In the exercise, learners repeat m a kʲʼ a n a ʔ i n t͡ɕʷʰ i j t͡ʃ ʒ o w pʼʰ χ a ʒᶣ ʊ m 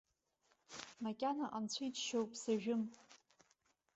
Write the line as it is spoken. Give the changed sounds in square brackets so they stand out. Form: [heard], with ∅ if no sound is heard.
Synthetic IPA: m a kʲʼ a n a ʔ [a] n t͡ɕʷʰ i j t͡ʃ [ʃ] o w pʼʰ [s] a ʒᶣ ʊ m